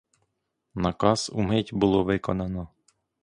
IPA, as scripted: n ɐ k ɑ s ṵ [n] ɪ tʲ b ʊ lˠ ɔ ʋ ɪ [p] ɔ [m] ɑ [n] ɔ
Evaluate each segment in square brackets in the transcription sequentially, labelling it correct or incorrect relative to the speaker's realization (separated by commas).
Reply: incorrect, incorrect, incorrect, correct